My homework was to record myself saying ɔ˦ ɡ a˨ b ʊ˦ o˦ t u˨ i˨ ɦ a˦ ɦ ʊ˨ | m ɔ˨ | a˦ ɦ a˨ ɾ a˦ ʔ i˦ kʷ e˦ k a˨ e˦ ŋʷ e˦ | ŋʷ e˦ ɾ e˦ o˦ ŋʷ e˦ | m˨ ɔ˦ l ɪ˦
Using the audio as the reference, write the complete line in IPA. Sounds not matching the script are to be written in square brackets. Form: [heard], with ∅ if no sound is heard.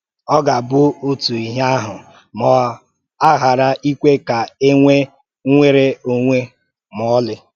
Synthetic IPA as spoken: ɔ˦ ɡ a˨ b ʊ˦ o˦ t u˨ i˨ ɦ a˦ ɦ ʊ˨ | m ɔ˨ | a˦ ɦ a˨ ɾ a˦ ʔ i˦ kʷ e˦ k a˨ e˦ ŋʷ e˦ | ŋʷ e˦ ɾ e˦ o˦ ŋʷ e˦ | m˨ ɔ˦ l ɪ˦